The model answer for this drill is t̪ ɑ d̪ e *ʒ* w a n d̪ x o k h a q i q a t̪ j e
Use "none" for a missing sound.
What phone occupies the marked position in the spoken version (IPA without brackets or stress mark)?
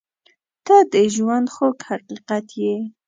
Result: ʒ